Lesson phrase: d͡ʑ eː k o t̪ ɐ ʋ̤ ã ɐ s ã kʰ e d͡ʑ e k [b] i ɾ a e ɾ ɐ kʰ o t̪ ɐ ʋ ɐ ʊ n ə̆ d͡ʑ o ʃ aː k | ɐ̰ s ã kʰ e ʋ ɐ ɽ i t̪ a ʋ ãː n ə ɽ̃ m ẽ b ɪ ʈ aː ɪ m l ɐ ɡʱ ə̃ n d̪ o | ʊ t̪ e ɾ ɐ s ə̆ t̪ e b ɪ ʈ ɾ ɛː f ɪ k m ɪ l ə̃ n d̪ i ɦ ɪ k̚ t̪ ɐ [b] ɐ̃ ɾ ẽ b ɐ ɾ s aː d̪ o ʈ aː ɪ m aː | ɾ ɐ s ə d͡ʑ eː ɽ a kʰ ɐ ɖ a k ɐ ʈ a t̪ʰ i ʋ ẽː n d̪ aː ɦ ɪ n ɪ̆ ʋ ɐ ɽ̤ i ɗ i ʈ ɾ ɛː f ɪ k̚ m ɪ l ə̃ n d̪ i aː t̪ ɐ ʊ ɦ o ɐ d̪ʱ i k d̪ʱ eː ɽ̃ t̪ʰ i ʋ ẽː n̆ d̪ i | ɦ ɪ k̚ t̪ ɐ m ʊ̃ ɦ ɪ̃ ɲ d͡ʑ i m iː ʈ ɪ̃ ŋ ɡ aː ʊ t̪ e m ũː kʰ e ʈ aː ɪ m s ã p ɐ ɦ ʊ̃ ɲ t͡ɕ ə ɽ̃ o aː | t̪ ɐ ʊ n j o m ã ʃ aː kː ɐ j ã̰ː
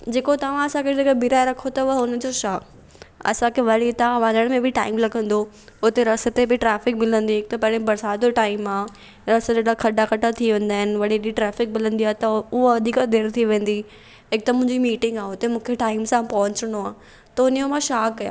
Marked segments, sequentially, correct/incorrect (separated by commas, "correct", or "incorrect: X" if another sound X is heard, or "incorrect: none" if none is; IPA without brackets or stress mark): correct, incorrect: p